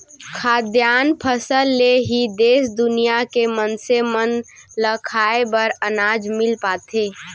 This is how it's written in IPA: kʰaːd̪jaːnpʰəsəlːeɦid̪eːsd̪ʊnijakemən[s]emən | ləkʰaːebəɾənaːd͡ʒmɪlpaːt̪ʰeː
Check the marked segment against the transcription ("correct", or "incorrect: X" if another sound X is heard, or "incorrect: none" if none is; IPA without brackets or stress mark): correct